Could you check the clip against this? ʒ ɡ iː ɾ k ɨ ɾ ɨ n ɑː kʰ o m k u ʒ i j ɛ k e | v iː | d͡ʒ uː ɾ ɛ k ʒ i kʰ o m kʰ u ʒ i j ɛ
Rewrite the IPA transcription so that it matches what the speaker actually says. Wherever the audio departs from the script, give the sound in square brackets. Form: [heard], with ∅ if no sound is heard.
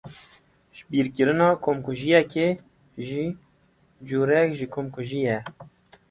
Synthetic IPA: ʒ [b] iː ɾ k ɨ ɾ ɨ n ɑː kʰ o m k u ʒ i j ɛ k e | [ʒ] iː | d͡ʒ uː ɾ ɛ k ʒ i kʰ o m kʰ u ʒ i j ɛ